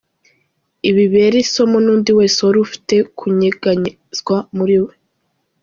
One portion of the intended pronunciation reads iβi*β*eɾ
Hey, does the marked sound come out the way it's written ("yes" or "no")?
yes